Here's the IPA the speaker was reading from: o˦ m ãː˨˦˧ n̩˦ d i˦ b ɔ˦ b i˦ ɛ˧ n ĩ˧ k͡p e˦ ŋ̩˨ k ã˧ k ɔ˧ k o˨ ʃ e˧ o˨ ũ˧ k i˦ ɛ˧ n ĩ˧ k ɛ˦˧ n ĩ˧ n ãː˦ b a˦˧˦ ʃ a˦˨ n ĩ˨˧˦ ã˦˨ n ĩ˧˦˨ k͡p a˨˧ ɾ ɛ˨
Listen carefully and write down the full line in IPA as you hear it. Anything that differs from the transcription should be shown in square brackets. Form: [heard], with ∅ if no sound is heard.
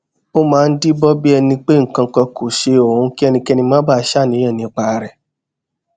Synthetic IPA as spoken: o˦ m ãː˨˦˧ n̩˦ d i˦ b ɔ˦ b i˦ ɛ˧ n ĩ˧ k͡p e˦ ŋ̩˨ k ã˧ k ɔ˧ k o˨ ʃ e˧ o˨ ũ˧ k i˦ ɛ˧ n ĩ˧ k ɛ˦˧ n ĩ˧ [m] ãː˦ b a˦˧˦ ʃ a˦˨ n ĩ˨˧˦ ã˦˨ n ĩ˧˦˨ k͡p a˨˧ ɾ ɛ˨